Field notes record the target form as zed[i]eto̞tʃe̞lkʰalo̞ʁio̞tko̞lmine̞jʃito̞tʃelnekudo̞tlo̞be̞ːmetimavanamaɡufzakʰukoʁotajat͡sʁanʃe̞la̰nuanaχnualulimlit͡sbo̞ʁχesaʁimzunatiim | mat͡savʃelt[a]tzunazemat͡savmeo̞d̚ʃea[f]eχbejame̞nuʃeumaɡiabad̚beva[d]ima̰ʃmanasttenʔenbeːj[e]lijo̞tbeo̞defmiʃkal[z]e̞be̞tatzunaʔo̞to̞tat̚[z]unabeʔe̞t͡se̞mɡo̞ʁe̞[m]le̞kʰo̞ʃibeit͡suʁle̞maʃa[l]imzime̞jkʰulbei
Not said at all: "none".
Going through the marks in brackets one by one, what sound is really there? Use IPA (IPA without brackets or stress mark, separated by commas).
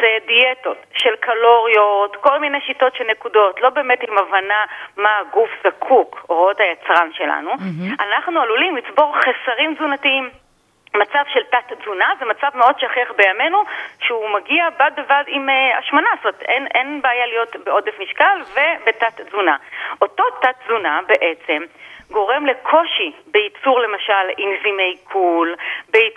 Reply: i, a, χ, d, a, v, z, m, l